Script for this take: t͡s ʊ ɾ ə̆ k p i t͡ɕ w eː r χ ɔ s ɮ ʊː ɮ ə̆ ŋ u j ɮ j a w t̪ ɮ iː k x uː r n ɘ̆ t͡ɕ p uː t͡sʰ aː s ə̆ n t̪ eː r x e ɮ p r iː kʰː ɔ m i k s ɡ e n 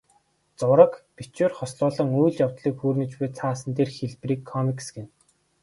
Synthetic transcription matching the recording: t͡s ʊ ɾ ə̆ k p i t͡ɕ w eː r χ ɔ s ɮ ʊː ɮ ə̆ ŋ u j ɮ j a w t̪ ɮ iː k x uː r n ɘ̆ t͡ɕ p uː t͡sʰ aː s ə̆ n t̪ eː r x e ɮ p r iː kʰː ɔ m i k s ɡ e n